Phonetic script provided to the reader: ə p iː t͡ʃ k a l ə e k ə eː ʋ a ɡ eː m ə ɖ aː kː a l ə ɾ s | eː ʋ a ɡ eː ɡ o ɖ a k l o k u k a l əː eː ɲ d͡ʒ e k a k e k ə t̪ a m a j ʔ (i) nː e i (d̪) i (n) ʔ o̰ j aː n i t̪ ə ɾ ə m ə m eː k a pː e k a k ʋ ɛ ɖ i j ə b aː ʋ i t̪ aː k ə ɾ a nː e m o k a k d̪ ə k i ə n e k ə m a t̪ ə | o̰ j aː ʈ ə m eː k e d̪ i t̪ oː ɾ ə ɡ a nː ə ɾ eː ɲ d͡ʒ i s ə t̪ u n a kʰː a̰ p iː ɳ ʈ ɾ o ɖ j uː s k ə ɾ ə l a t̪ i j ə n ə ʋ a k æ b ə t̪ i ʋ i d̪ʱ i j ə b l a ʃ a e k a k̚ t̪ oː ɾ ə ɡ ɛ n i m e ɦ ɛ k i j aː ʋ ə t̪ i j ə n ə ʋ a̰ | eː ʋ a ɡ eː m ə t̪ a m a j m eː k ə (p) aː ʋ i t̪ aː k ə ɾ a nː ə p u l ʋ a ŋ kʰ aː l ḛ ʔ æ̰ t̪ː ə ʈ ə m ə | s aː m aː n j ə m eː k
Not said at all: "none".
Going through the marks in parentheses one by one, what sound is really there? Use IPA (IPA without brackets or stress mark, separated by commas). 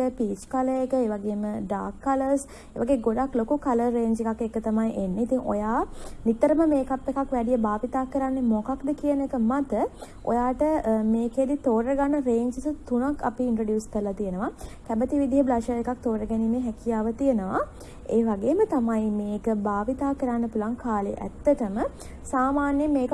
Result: e, t̪, ŋ, b